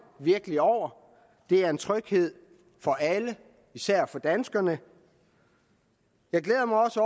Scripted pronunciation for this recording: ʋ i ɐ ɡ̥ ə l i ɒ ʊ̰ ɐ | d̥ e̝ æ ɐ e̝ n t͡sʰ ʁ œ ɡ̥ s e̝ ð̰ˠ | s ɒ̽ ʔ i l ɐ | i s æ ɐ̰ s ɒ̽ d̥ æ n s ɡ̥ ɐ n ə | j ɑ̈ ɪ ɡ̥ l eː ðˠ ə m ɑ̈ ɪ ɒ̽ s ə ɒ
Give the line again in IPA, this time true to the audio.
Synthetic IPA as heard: ʋ i ɐ ɡ̥ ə l i ɒ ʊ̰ ɐ | d̥ e̝ æ ɐ e̝ n t͡sʰ ʁ œ ɡ̥ h e̝ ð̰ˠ | f ɒ̽ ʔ æ l ə | i s æ ɐ̰ f ɒ̽ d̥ æ n s ɡ̥ ɐ n ə | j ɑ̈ ɪ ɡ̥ l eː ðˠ ɐ m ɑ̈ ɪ ɒ̽ s ə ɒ